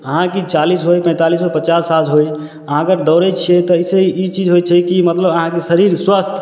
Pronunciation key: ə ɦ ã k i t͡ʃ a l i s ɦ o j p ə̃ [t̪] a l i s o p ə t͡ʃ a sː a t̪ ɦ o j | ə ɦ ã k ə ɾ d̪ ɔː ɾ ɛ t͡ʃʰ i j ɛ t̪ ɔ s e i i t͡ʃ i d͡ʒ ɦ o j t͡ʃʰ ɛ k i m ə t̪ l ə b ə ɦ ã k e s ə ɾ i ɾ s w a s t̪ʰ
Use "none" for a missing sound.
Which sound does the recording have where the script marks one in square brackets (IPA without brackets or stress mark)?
t̪